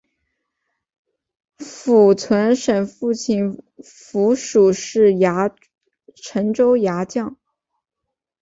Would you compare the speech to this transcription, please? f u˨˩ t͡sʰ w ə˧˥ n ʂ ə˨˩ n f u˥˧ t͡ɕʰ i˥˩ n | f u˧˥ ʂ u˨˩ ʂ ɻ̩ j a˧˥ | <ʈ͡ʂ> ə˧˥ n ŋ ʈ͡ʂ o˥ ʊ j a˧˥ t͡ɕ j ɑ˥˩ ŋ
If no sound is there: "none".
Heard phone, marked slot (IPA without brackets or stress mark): ʈ͡ʂʰ